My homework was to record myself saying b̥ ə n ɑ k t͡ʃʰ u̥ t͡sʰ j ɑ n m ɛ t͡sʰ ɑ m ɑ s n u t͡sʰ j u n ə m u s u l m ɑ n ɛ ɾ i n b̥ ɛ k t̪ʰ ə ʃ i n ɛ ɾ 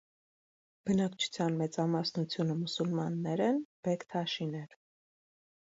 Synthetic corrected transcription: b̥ ə n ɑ k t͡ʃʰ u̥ t͡sʰ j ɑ n m ɛ t͡s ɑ m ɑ s n u t͡sʰ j u n ə m u s u l m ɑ nː ɛ ɾ ɛ n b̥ ɛ k t̪ʰ ɑ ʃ i n ɛ ɾ